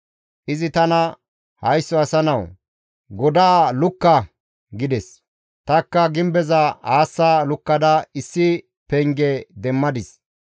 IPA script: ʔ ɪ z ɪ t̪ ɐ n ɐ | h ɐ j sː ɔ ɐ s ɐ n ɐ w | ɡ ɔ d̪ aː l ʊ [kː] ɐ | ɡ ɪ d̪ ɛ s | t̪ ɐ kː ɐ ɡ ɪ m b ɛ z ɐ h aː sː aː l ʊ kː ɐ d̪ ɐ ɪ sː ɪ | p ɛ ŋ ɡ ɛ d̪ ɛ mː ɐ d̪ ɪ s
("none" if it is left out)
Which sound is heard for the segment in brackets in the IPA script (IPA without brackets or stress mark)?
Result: kː